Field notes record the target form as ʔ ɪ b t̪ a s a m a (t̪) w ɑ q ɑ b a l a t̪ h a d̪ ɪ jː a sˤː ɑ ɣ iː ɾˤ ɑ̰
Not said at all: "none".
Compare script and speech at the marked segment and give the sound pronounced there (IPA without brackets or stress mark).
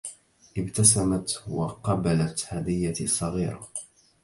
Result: t̪